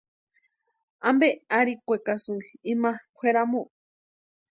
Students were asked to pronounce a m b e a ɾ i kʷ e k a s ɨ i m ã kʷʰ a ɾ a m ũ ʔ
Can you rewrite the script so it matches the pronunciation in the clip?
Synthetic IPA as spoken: a m b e a ɾ i kʷ e k a s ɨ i m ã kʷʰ e ɾ a m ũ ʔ